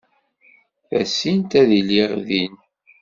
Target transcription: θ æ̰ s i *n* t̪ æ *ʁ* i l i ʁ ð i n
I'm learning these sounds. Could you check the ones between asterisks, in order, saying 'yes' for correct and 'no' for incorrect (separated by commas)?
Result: yes, no